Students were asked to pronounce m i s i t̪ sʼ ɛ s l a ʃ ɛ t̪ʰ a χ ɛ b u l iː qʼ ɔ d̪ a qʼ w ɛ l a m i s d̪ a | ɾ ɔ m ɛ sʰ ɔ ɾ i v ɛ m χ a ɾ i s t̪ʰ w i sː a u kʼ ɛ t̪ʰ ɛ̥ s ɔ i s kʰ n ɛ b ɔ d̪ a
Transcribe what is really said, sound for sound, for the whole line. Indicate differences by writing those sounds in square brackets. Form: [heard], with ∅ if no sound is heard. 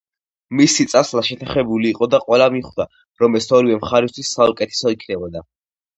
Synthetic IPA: m i s i t̪ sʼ [a] s l a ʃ ɛ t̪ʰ a χ ɛ b u l iː qʼ ɔ d̪ a qʼ w ɛ l a m i [χ] d̪ a | ɾ ɔ m ɛ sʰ ɔ ɾ i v ɛ m χ a ɾ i s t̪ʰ w i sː a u kʼ ɛ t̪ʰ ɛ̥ s ɔ i [∅] kʰ n ɛ b ɔ d̪ a